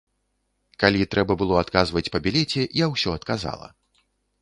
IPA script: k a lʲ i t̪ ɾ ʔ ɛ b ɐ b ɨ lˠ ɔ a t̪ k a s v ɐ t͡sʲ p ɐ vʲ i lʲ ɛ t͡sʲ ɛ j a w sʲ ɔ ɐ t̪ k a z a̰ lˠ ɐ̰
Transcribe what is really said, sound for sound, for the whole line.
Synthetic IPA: k a lʲ i t̪ ɾ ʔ ɛ b ɐ b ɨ lˠ ɔ a t̪ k a z v ɐ t͡sʲ p ɐ bʲ i lʲ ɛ t͡sʲ ɛ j a w sʲ ɔ ɐ t̪ k a z a̰ lˠ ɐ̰